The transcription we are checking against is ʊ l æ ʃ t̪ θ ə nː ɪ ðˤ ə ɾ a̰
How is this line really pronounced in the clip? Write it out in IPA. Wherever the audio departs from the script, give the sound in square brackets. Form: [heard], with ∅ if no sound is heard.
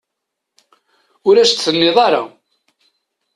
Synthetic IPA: ʊ [ɾ] æ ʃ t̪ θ ə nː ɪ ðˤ [ɑ] ɾ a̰